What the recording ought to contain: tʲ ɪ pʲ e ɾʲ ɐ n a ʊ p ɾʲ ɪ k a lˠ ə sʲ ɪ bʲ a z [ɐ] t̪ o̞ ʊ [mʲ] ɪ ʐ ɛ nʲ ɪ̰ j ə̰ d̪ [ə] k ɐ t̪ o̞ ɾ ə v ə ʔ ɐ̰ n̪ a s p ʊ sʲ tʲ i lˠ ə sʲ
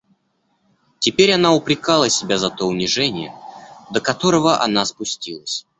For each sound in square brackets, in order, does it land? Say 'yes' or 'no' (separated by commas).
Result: yes, no, yes